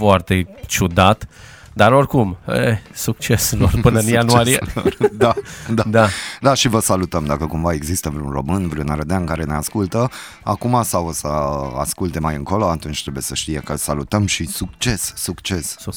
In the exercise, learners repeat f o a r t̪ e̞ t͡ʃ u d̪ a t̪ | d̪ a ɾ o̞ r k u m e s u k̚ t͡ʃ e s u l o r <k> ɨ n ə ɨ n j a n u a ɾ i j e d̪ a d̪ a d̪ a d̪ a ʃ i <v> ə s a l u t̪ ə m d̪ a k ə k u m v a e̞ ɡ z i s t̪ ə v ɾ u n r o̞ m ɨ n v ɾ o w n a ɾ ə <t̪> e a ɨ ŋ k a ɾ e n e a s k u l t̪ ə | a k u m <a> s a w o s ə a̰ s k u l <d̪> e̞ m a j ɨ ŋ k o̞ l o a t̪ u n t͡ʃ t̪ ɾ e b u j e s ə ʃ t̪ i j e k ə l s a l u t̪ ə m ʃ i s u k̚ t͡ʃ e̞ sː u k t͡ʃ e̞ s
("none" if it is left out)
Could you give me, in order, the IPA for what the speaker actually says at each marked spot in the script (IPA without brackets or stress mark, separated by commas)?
p, v, d̪, a, t̪